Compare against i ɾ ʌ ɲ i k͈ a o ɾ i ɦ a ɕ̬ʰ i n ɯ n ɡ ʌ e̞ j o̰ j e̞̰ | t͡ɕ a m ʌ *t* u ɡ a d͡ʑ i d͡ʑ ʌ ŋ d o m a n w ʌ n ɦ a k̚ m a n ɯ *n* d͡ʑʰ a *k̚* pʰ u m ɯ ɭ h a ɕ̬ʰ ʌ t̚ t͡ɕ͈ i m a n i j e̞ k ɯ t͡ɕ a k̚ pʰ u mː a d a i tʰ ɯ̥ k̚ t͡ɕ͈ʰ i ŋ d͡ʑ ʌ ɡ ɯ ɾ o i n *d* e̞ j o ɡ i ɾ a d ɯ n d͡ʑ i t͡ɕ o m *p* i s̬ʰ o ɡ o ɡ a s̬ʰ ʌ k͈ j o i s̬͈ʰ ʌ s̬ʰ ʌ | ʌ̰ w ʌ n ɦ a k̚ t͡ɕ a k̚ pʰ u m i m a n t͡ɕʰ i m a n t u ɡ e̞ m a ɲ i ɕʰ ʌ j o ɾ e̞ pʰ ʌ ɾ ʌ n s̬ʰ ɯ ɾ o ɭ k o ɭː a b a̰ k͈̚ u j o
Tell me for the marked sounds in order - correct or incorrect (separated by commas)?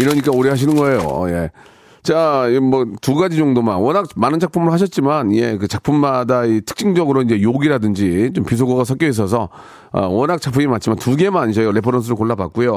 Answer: correct, correct, correct, incorrect, correct